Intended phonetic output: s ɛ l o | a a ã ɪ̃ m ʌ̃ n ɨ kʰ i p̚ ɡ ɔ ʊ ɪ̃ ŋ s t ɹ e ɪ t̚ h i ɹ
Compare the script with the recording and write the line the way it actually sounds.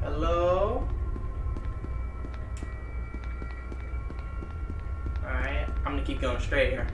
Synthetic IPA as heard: h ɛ l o | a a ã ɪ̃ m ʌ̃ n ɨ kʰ i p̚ ɡ o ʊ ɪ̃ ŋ s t ɹ e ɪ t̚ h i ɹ